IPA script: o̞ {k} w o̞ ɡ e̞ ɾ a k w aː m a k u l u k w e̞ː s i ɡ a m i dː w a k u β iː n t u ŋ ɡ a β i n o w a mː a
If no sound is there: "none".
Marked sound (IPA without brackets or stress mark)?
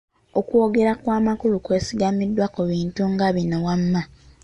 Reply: k